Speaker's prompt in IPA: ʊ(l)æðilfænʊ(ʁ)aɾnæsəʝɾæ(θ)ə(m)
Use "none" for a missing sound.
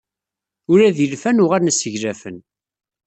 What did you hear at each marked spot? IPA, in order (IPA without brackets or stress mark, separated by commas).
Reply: ɾ, ʁ, f, n